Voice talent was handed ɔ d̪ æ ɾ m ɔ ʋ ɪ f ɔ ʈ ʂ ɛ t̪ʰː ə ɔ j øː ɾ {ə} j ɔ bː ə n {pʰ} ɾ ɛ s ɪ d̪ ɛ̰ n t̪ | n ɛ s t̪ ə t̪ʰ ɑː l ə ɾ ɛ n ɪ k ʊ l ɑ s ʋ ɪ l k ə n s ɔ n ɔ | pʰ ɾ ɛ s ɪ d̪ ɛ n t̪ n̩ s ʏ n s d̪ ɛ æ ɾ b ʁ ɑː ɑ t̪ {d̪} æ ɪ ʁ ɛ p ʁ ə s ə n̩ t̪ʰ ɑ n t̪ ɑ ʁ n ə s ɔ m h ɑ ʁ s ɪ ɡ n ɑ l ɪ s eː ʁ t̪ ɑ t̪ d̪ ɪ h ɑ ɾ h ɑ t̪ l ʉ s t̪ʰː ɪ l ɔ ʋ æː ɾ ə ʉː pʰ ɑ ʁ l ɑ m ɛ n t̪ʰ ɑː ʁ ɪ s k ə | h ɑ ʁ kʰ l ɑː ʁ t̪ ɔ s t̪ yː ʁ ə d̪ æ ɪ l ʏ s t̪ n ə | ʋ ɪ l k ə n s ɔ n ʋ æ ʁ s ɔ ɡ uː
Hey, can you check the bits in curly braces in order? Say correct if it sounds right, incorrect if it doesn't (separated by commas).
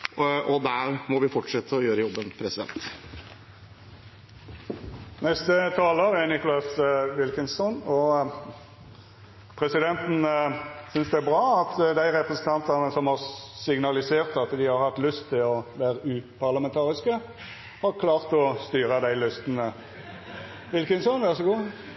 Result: correct, correct, correct